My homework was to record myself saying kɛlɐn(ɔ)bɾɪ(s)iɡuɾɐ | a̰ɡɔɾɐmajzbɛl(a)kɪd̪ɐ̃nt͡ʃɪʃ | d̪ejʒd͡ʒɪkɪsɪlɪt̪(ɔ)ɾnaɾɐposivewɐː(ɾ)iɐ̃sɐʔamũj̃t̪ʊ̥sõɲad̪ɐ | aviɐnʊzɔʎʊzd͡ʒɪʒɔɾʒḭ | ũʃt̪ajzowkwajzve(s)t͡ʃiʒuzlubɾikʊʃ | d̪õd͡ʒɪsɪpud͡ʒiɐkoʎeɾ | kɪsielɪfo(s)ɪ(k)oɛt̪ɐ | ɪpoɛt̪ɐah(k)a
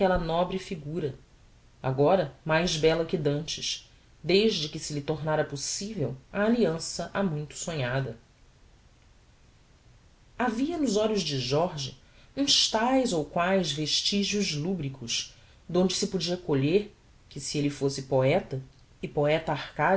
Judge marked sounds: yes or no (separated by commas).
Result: yes, no, no, no, no, no, yes, no, yes